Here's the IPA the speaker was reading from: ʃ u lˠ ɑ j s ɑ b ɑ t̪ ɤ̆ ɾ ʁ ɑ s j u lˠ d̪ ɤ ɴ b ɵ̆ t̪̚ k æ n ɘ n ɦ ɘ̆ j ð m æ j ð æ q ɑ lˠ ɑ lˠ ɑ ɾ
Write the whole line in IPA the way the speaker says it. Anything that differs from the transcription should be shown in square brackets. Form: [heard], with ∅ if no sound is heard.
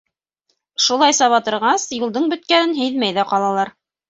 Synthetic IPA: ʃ u lˠ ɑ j s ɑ [β] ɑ t̪ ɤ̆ ɾ ʁ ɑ s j u lˠ d̪ ɤ ɴ b ɵ̆ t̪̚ k æ n ɘ n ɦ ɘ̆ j ð m æ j ð æ q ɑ lˠ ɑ lˠ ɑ ɾ